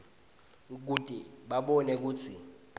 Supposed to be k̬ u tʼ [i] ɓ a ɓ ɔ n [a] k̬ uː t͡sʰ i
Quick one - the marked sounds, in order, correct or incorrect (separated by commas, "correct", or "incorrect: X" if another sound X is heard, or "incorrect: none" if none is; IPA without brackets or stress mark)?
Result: correct, incorrect: ɛ